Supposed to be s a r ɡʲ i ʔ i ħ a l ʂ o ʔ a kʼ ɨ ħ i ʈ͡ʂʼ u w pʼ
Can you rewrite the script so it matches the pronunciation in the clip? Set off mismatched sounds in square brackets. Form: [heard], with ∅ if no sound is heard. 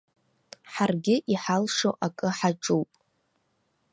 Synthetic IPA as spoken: [ħ] a r ɡʲ [ɪ] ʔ i ħ a l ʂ o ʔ a kʼ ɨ ħ [a] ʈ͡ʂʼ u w pʼ